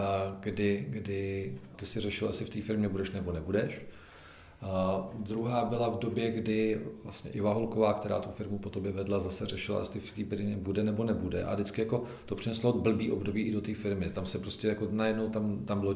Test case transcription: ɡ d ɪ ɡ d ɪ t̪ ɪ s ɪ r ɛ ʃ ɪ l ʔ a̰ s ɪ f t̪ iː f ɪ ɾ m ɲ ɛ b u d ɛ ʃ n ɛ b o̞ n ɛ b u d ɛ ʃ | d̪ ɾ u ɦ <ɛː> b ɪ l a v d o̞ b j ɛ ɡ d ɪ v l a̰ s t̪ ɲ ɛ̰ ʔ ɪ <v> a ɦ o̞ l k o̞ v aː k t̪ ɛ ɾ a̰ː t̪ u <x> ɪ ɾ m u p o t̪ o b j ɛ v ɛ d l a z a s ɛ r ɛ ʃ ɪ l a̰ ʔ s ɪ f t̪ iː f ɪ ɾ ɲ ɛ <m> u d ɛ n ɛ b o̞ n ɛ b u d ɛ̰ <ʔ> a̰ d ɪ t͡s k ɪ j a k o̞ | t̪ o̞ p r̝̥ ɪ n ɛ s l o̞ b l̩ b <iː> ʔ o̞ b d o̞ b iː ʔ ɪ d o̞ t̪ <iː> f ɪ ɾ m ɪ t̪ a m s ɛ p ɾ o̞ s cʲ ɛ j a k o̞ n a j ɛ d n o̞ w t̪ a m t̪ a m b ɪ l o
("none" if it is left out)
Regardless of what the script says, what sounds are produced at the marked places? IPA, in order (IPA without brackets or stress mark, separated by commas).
aː, v, f, b, ʔ, iː, iː